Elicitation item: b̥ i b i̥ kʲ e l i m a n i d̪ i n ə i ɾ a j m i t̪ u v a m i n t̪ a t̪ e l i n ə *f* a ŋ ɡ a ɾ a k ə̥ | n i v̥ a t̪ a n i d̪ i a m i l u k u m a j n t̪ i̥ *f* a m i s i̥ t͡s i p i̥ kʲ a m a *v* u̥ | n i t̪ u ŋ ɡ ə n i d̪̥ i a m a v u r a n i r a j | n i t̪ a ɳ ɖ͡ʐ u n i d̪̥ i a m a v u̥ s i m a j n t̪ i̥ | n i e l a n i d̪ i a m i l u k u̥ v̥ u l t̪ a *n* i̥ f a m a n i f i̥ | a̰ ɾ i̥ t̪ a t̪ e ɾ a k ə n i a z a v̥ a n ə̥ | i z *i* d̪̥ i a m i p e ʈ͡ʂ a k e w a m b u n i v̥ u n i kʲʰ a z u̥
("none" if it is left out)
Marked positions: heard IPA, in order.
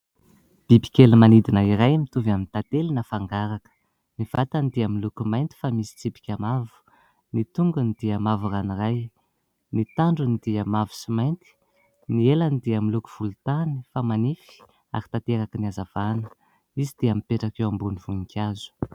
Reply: f, f, v, n, i

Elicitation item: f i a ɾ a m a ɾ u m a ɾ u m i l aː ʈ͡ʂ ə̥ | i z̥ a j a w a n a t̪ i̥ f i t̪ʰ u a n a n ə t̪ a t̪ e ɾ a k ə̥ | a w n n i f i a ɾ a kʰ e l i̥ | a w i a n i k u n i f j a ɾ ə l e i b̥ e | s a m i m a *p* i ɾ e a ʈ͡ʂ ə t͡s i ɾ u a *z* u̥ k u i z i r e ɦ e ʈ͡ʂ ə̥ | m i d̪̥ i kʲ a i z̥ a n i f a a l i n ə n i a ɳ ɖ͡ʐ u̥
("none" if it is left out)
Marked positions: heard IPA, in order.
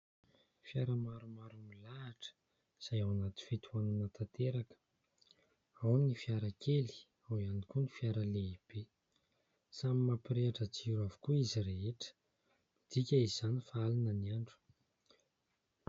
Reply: p, v

